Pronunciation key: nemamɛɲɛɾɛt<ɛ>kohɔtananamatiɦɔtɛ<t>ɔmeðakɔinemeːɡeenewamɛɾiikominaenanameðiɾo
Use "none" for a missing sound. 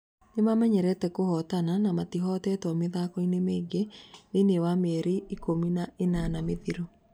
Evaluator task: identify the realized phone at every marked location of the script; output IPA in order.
ɛ, t

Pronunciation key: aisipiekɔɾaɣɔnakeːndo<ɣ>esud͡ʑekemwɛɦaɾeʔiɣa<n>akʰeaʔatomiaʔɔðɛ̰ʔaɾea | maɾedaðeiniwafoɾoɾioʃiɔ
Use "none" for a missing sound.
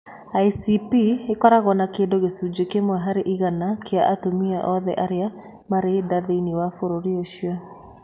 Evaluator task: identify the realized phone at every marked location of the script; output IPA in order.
ɣ, n

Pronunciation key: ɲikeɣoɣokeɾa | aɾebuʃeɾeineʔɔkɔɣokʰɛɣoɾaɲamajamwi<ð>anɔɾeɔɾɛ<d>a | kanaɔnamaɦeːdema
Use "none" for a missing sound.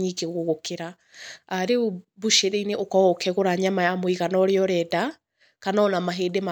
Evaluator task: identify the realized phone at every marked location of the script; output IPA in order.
ɣ, d

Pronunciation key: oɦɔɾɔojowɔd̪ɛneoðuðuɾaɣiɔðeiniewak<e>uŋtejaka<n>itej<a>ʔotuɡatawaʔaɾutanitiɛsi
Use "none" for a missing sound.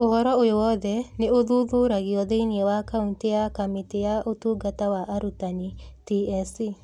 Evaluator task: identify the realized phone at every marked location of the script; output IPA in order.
a, m, a

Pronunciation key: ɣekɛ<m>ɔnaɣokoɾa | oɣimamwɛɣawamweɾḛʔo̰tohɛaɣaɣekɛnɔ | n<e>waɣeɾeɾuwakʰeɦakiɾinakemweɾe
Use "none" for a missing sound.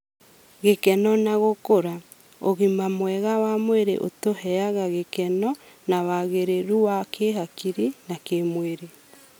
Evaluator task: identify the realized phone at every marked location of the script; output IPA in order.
n, a

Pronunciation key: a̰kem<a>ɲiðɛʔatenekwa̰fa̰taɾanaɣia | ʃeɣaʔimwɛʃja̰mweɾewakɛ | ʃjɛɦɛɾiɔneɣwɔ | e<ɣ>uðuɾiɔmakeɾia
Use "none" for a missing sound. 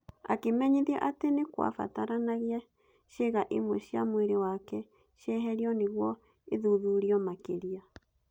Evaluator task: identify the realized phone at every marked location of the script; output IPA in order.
ɛ, ð

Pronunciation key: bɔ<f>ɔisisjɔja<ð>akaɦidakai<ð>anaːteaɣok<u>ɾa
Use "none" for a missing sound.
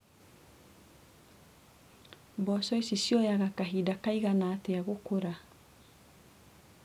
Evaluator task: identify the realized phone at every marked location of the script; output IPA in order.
s, ɣ, ɣ, o

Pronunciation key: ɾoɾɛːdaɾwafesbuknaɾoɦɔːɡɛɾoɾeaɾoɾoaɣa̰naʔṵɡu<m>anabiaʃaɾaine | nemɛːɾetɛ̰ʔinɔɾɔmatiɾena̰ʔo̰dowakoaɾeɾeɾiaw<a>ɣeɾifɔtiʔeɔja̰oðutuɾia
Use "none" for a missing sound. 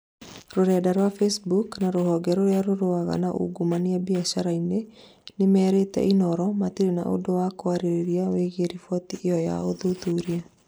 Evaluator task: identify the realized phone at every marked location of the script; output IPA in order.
m, e

